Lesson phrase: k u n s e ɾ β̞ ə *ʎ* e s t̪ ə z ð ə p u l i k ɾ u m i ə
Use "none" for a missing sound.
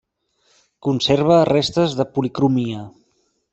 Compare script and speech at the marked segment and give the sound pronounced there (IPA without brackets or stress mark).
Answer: r